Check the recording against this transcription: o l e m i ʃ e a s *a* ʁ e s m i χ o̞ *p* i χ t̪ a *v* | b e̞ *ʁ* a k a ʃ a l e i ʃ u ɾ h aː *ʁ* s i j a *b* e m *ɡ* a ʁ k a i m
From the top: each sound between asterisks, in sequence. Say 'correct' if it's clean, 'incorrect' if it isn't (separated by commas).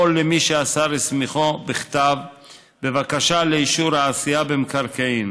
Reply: correct, incorrect, correct, incorrect, incorrect, correct, incorrect